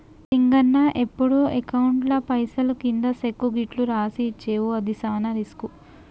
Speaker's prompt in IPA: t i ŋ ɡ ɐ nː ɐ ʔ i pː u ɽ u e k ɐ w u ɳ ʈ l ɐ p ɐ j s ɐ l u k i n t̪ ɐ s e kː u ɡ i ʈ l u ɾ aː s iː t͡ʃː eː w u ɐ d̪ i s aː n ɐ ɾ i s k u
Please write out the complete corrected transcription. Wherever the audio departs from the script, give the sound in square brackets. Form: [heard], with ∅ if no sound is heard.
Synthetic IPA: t i ŋ ɡ ɐ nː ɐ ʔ [e] pː u ɽ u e k ɐ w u ɳ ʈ l ɐ p ɐ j s ɐ l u k i n [d̪] ɐ s e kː u ɡ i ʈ l u ɾ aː s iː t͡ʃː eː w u ɐ d̪ i s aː n ɐ ɾ i s k u